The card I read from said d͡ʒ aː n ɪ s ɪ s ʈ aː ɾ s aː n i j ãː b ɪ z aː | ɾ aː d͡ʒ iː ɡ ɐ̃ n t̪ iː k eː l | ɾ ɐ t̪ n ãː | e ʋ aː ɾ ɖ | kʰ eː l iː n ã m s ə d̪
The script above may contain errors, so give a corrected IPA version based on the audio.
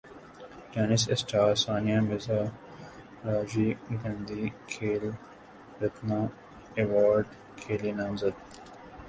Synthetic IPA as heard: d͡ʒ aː n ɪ s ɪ s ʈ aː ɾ s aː n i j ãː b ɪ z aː | ɾ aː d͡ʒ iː ɡ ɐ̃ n d̪ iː kʰ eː l | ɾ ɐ t̪ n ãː | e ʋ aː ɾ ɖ | kʰ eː l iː n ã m z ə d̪